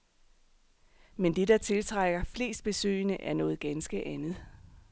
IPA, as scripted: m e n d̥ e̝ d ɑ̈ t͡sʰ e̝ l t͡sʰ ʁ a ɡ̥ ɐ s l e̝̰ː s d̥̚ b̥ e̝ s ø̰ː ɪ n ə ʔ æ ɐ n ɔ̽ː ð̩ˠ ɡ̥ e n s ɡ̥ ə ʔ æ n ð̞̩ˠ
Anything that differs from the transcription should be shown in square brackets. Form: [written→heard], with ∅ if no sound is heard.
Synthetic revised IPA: m e n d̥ e̝ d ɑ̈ t͡sʰ e̝ l t͡sʰ ʁ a ɡ̥ ɐ [s→f] l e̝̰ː s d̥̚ b̥ e̝ s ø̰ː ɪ n ə ʔ æ ɐ n ɔ̽ː ð̩ˠ ɡ̥ [e→æ] n s ɡ̥ ə ʔ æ n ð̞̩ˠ